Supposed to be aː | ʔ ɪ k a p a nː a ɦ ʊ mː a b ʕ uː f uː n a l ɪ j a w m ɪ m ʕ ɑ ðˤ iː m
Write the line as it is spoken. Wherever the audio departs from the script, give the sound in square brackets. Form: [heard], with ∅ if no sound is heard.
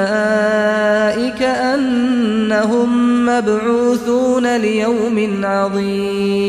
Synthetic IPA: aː | ʔ ɪ k a [ʔ] a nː a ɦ ʊ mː a b ʕ uː [θ] uː n a l ɪ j a w m ɪ [n] ʕ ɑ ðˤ iː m